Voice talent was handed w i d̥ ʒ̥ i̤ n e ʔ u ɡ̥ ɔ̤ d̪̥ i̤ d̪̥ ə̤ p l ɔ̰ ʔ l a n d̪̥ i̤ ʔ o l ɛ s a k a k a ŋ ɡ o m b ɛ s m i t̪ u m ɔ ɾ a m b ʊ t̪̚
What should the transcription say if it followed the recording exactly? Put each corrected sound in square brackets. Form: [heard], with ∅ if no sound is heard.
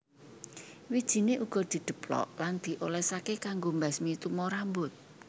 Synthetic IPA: w i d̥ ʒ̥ i̤ n e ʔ u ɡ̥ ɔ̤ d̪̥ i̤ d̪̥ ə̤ p l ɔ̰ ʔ l a n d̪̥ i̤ ʔ o l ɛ s a k [e] k a ŋ ɡ o m b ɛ s m i t̪ u m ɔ ɾ a m b ʊ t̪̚